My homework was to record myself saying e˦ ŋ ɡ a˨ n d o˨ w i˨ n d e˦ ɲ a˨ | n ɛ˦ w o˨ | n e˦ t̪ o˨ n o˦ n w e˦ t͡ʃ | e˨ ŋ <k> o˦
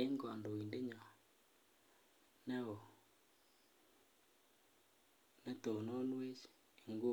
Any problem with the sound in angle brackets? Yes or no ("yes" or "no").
yes